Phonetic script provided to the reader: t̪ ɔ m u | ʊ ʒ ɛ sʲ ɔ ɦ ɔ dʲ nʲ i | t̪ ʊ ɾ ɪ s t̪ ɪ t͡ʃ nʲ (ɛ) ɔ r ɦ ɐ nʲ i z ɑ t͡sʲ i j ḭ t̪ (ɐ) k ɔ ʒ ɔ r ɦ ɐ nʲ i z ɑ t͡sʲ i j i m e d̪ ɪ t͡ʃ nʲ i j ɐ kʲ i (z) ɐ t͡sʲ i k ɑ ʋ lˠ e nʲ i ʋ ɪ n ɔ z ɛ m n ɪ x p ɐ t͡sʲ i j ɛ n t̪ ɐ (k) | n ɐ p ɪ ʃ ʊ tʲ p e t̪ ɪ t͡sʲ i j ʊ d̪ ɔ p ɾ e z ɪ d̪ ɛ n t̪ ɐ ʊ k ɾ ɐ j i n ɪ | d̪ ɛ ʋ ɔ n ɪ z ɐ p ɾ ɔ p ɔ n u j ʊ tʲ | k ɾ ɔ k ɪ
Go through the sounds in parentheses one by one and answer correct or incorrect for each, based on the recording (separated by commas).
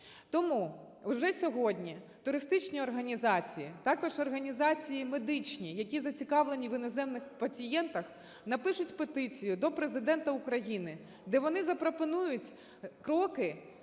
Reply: incorrect, incorrect, correct, incorrect